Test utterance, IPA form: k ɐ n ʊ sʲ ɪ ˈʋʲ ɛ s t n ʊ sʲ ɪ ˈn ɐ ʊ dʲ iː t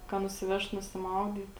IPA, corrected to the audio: k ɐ n ʊ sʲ ɪ ˈʋʲ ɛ ʃ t n ʊ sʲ ɪ ˈm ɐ ʊ dʲ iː t